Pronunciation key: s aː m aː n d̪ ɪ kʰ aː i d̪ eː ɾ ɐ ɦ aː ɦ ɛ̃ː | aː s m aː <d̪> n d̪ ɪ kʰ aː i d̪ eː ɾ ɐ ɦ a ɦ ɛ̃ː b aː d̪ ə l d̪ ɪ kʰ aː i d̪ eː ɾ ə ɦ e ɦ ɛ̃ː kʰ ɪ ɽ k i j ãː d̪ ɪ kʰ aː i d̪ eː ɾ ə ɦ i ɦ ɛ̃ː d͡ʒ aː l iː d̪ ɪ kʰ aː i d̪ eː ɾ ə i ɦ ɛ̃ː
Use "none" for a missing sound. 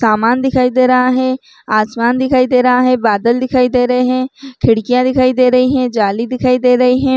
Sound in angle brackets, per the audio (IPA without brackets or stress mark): none